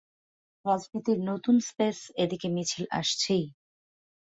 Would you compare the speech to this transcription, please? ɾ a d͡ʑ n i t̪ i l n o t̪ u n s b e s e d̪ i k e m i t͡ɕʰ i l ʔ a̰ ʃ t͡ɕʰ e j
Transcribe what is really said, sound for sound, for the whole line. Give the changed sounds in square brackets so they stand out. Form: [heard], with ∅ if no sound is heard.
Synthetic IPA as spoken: ɾ a d͡ʑ n i t̪ i [ɾ] n o t̪ u n s [p] e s e d̪ i k e m i t͡ɕʰ i l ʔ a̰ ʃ t͡ɕʰ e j